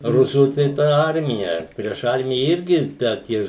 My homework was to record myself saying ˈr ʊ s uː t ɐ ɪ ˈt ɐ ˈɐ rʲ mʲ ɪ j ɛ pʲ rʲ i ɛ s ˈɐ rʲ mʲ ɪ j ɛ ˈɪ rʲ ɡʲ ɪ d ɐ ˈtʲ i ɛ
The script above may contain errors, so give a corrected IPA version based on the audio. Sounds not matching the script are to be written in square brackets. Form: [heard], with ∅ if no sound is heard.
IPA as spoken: ˈr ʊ s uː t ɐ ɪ ˈt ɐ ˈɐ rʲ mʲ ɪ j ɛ pʲ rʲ i ɛ [ʃ] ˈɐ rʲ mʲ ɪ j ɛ ˈɪ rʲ ɡʲ ɪ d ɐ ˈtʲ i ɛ